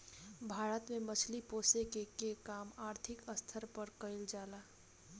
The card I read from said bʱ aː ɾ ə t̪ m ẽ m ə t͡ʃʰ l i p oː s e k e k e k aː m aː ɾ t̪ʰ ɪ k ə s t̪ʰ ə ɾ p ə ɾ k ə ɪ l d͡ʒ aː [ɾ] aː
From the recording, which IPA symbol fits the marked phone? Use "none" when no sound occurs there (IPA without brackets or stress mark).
l